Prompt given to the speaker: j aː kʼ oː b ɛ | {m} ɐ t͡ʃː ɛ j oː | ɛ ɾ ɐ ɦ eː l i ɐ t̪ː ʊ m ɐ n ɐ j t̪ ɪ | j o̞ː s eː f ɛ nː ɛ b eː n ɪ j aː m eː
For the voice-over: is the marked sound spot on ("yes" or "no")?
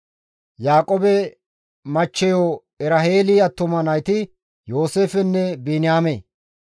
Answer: yes